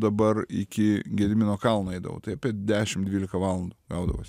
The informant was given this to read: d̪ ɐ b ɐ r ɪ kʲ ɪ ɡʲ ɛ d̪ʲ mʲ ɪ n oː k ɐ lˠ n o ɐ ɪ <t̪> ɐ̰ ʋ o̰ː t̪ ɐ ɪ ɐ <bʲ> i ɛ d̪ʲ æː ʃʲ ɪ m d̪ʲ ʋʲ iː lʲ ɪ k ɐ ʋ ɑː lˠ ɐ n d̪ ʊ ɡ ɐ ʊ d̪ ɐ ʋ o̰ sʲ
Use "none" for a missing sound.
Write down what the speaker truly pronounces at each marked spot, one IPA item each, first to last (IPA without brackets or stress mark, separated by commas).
d̪, pʲ